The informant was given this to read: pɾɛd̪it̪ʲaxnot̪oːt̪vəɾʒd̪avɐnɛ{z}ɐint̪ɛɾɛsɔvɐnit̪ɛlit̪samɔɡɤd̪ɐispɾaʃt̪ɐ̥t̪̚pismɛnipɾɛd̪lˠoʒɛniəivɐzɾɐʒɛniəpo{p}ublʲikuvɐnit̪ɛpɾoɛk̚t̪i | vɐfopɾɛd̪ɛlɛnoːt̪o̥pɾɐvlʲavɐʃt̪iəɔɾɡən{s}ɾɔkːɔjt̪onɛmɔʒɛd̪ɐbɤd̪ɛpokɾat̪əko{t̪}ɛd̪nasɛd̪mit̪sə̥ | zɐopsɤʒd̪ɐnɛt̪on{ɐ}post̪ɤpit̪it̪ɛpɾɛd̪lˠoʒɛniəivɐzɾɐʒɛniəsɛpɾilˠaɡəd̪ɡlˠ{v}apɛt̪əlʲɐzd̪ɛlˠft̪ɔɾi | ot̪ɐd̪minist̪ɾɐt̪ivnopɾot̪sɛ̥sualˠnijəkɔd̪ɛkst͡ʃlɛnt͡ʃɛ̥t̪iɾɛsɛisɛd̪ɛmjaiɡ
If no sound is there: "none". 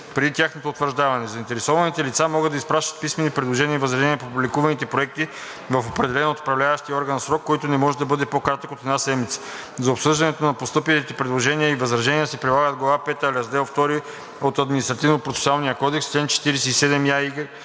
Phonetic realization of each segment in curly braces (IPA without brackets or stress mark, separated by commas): z, p, s, t̪, ɐ, v